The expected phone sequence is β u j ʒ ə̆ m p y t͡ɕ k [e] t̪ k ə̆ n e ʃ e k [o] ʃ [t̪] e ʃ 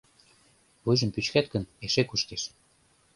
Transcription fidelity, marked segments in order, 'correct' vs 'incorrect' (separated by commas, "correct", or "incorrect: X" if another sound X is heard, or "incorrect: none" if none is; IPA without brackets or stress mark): incorrect: æ, incorrect: u, correct